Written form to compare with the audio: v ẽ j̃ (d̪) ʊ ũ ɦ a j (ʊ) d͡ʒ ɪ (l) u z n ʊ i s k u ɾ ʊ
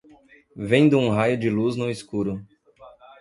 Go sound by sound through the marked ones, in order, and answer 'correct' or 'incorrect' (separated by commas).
correct, correct, correct